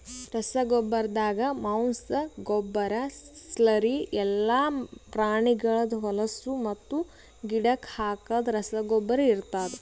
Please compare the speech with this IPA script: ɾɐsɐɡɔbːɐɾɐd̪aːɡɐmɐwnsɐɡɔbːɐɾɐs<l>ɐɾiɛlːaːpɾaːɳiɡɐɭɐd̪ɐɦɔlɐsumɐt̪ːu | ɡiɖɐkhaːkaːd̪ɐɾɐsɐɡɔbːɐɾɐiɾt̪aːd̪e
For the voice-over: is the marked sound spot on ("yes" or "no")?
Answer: yes